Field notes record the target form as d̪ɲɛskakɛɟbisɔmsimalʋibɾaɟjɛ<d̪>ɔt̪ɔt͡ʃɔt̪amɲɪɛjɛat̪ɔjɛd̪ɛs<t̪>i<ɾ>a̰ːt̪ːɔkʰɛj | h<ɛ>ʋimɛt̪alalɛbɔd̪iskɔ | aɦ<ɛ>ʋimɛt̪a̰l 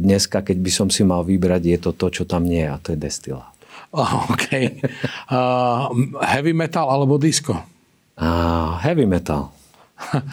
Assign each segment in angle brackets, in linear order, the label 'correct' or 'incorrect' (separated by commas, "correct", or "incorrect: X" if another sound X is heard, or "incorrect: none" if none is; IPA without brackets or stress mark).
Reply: incorrect: t̪, correct, incorrect: l, correct, correct